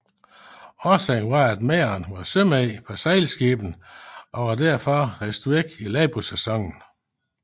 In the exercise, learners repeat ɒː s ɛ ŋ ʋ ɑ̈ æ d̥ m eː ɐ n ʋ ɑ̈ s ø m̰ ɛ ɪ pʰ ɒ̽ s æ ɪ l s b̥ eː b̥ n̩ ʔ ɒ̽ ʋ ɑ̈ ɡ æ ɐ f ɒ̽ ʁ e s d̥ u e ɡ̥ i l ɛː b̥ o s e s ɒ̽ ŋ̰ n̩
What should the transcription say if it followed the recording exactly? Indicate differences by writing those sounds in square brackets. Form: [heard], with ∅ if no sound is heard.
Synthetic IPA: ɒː s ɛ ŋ ʋ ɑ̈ æ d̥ m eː ɐ n ʋ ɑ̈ s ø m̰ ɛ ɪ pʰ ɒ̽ s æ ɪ l s [ɡ̥] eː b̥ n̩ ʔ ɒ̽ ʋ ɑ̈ [d] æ ɐ f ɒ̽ ʁ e s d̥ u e ɡ̥ i l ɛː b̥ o s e s ɒ̽ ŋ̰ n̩